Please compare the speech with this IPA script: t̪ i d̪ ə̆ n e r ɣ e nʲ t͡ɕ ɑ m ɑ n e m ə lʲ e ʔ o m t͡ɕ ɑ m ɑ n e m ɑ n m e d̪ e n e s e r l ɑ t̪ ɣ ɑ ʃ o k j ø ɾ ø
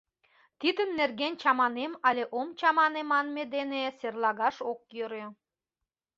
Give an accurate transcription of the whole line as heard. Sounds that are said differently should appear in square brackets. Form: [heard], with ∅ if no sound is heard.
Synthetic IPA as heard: t̪ i d̪ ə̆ [nː] e r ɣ e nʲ t͡ɕ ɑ m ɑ n e m [ɑ] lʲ e ʔ o m t͡ɕ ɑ m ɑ n e m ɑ n m e d̪ e n e s e r l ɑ [∅] ɣ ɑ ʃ o k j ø ɾ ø